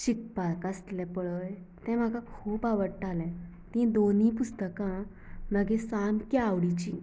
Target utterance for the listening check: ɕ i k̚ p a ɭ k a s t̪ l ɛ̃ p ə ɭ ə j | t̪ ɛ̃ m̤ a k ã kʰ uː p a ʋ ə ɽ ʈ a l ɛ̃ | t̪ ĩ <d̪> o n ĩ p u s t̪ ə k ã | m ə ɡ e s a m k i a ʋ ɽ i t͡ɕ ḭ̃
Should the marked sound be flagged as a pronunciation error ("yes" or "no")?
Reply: no